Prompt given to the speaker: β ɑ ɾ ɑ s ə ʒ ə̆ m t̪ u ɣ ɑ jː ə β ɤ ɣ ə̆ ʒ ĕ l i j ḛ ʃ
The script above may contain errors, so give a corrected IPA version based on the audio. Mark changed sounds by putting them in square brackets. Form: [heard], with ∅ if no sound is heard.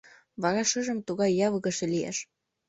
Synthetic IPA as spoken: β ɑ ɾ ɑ [ʃ] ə ʒ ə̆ m t̪ u ɣ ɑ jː [ɑ] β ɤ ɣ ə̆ [ʃ] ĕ l i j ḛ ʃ